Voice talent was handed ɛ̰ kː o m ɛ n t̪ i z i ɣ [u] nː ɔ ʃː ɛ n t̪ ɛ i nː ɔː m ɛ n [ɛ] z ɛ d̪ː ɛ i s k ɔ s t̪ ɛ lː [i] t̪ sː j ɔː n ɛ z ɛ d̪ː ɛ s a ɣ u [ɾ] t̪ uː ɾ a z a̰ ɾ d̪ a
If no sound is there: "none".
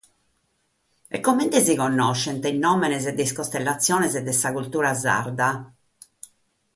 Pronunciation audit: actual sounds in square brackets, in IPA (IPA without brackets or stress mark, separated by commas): ɔ, ɛ, a, l